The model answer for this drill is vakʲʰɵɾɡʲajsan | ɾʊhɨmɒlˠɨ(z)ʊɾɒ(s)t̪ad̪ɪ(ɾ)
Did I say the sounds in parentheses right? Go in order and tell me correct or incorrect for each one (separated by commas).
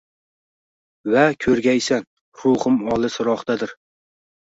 incorrect, incorrect, correct